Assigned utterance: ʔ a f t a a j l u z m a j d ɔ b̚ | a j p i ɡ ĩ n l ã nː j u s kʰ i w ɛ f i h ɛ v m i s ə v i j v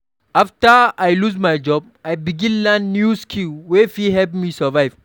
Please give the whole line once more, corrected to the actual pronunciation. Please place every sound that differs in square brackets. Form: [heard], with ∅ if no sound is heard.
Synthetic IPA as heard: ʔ a f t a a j l u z m a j [d͡ʒ] ɔ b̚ | a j [b] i ɡ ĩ n l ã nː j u s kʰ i w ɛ f i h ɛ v m i s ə v [a] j v